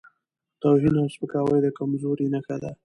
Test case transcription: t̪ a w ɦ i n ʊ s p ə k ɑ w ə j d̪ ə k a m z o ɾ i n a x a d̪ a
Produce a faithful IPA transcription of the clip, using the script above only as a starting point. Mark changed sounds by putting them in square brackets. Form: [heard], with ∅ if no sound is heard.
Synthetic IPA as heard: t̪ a w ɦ i n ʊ s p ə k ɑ w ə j d̪ ə k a m z o ɾ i n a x a d̪ a